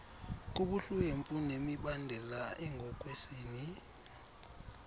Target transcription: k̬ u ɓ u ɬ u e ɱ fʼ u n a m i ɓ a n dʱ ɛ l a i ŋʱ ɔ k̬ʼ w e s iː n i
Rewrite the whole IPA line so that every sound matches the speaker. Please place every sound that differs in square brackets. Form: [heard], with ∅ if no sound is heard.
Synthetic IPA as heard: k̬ u ɓ u ɬ u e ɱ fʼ u n [e] m i ɓ a n dʱ ɛ l a [ɛ] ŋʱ ɔ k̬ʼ w e s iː n i